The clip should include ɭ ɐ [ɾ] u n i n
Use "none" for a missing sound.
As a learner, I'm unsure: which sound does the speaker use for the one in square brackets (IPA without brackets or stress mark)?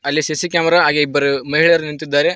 ɾ